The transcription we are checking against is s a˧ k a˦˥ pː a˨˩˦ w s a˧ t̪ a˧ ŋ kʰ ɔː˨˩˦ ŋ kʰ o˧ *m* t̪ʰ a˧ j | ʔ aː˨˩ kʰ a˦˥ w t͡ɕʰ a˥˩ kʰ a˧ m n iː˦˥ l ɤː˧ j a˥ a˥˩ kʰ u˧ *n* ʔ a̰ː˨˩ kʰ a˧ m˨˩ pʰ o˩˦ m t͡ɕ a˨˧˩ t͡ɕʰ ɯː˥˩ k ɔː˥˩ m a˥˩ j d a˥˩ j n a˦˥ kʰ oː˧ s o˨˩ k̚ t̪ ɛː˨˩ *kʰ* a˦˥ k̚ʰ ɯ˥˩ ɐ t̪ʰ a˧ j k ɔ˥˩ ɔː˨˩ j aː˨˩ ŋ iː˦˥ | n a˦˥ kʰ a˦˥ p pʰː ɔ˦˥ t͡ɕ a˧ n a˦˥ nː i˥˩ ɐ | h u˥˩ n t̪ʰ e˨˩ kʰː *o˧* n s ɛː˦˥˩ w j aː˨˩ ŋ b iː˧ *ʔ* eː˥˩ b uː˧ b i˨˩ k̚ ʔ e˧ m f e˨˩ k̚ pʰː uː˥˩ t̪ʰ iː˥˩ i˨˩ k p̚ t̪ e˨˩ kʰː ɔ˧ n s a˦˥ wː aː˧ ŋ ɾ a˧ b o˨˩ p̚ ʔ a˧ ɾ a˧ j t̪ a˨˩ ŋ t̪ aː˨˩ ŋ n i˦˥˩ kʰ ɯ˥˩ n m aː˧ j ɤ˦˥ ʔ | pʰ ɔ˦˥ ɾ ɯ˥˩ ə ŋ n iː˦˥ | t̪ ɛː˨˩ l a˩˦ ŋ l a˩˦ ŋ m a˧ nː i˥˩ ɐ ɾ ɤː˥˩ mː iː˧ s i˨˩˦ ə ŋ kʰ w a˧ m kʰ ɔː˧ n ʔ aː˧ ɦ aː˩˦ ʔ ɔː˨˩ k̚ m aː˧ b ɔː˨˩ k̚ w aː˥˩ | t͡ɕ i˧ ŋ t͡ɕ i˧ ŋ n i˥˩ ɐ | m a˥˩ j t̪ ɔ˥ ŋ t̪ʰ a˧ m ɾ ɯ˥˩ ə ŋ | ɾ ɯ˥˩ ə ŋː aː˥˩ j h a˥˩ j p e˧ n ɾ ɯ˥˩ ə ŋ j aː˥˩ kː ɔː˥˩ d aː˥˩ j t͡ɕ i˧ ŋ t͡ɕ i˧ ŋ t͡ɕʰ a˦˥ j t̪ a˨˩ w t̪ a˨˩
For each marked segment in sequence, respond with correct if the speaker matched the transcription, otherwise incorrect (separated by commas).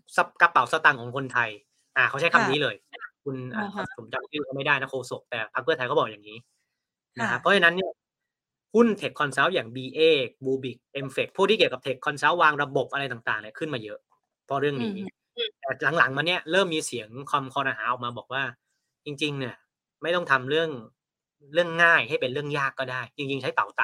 incorrect, correct, incorrect, incorrect, correct